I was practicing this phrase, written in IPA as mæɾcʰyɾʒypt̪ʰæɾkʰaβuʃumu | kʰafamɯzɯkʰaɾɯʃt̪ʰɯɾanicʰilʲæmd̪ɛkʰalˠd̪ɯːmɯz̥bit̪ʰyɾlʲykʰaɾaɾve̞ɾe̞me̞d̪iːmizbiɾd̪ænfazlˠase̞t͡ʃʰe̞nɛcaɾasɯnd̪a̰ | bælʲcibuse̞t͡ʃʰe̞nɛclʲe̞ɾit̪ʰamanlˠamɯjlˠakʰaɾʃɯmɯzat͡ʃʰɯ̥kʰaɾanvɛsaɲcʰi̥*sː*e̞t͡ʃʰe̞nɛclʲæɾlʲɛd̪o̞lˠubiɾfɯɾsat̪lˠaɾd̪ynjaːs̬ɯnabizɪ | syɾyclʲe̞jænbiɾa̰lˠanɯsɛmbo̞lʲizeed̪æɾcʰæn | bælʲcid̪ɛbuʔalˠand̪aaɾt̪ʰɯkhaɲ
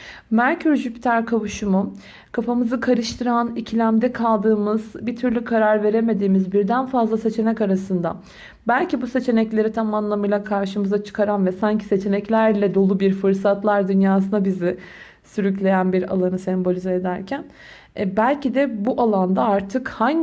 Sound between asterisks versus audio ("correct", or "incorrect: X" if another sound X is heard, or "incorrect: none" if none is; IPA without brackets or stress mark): incorrect: s